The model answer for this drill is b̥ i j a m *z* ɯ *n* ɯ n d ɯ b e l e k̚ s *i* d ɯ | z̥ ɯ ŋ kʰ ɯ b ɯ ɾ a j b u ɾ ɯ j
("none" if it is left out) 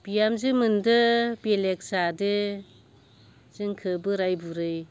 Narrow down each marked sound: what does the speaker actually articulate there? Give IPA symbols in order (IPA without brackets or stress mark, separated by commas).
z, m, a